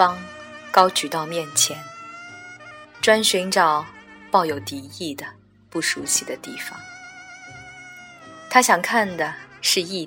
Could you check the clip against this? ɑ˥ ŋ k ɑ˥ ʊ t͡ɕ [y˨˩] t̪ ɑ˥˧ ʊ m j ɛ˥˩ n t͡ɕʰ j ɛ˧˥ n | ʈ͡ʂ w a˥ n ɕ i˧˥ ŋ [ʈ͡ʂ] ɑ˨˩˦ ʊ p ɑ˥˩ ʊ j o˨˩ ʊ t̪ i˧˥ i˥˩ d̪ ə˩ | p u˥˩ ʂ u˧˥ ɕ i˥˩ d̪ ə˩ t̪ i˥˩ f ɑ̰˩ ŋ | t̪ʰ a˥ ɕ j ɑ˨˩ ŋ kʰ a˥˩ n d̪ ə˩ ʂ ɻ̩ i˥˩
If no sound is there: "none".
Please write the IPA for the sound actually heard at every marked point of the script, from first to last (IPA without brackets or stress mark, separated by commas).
y˨˩, ʈ͡ʂ